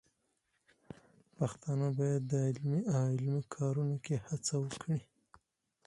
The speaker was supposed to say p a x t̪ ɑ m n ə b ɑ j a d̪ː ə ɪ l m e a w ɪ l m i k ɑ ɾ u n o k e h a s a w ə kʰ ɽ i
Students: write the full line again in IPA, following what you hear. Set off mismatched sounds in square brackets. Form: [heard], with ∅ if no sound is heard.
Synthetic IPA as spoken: p a x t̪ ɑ [∅] n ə b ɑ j a d̪ː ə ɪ l m [i] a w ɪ l m i [kʰ] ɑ ɾ u n o k e h a [t͡s] a w ə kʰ ɽ i